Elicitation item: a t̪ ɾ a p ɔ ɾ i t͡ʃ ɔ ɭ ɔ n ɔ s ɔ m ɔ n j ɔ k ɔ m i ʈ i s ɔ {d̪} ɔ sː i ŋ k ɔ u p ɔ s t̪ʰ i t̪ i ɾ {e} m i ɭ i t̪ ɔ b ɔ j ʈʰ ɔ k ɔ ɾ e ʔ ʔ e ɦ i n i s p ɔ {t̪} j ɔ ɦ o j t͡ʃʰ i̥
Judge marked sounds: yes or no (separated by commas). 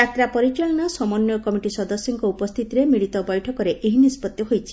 yes, yes, yes